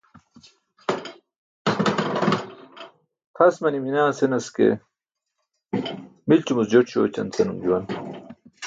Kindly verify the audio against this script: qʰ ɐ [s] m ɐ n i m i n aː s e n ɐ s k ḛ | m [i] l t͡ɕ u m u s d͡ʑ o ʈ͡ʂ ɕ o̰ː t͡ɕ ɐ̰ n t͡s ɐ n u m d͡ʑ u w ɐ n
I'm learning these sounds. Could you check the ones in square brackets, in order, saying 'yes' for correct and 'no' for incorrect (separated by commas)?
yes, yes